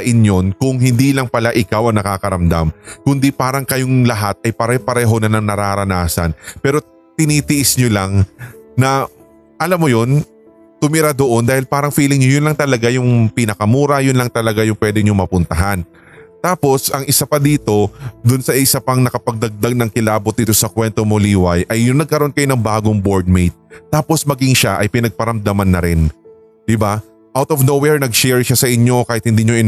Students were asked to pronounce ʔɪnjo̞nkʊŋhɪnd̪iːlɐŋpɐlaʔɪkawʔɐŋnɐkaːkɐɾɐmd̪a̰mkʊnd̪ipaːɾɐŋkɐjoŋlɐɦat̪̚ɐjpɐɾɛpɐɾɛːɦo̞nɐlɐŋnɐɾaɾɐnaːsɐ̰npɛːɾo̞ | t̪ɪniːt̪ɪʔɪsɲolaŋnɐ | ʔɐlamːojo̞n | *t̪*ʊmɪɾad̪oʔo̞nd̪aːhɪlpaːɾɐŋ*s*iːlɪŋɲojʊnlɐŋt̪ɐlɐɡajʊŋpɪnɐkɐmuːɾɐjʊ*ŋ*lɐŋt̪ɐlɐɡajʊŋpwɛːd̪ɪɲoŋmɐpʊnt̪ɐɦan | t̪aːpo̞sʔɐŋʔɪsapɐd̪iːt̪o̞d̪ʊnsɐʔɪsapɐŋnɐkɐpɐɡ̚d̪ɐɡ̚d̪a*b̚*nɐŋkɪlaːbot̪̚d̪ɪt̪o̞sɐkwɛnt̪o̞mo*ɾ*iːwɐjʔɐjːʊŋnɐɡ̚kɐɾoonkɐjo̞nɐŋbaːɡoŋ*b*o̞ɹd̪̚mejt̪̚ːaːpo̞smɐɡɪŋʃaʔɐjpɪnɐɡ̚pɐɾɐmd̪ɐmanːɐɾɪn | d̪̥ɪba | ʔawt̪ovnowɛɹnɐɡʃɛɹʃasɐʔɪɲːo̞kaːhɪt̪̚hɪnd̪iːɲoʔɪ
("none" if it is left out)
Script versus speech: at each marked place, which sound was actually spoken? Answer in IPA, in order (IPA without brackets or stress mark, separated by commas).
t̪, f, n, ɡ̚, l, b